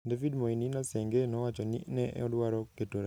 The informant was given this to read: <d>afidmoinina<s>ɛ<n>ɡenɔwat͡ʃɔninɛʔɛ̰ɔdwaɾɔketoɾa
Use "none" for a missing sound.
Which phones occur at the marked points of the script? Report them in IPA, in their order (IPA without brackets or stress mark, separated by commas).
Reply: d, s, ŋ